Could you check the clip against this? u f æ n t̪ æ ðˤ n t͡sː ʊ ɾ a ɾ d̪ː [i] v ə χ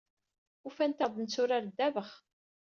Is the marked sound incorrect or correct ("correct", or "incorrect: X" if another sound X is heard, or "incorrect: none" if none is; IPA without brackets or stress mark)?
incorrect: æ